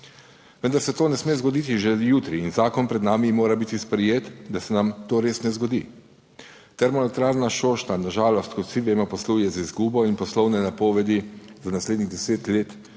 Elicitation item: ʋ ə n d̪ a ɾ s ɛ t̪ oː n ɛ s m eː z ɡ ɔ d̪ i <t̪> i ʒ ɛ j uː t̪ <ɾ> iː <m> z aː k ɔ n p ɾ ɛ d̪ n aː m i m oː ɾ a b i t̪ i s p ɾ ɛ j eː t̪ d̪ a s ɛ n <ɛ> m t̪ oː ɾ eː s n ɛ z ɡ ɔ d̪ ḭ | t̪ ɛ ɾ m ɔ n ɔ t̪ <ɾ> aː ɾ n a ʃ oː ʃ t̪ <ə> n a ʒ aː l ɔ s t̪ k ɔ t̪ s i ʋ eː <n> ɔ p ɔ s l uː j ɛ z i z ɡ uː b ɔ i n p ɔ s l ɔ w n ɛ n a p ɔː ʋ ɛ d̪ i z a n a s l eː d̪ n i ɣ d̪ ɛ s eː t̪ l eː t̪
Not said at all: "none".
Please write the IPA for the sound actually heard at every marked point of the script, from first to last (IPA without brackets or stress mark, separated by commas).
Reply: t̪, ɾ, n, a, ɾ, a, m